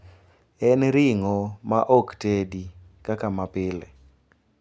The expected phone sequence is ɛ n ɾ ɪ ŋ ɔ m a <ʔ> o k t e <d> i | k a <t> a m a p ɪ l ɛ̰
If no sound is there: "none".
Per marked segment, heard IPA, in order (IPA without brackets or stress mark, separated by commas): ʔ, d, k